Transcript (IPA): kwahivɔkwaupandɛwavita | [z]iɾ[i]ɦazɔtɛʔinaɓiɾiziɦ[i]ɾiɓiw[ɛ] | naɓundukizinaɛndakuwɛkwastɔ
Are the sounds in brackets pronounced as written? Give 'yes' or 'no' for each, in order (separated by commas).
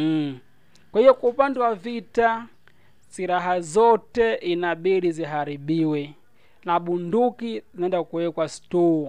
no, no, no, yes